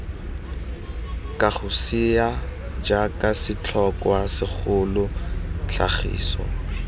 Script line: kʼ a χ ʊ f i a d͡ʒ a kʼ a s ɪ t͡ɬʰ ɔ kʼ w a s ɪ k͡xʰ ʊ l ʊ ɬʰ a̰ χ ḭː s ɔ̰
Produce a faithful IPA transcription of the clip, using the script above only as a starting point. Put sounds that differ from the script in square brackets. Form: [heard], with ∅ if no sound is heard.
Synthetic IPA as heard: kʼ a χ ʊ [s] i a d͡ʒ a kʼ a s ɪ t͡ɬʰ ɔ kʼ w a s ɪ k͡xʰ ʊ l ʊ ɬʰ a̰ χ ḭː s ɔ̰